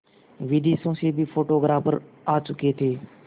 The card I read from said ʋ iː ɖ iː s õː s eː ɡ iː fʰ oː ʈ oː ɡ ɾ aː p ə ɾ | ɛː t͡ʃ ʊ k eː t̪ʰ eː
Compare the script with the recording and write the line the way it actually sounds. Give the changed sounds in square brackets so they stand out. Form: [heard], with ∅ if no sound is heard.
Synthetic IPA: ʋ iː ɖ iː s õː s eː [b] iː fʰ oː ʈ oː ɡ ɾ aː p ə ɾ | [aː] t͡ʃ ʊ k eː t̪ʰ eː